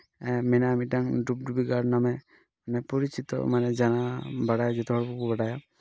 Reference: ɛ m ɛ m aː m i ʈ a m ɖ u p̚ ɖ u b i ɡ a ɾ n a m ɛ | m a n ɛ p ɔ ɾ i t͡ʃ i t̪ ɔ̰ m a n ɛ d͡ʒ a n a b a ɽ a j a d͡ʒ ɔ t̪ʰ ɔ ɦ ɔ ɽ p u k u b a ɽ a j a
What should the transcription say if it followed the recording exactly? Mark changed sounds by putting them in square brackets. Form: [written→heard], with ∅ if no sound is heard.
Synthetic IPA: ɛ m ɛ [m→n] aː m i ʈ a [m→ŋ] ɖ u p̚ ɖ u b i ɡ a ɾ n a m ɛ | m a n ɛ p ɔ ɾ i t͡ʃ i t̪ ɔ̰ m a n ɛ d͡ʒ a n a b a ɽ a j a d͡ʒ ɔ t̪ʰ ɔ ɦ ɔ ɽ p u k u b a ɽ a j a